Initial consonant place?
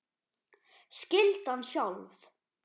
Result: alveolar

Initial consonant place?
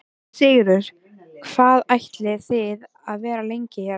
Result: alveolar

